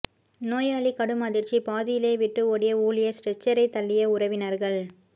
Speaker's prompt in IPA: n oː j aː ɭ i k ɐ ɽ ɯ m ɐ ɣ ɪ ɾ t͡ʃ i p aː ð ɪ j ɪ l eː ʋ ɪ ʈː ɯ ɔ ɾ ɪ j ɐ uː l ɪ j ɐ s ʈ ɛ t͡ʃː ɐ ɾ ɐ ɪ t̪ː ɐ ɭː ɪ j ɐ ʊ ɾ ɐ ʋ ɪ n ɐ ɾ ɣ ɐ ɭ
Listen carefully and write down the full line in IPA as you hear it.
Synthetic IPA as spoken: n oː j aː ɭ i k ɐ ɽ ɯ m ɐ ð ɪ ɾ t͡ʃ i p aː ð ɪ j ɪ l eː ʋ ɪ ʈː ɯ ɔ ɽ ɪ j ɐ uː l ɪ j ɐ s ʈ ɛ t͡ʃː ɐ ɾ ɐ ɪ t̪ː ɐ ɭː ɪ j ɐ ʊ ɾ ɐ ʋ ɪ n ɐ ɾ ɣ ɐ ɭ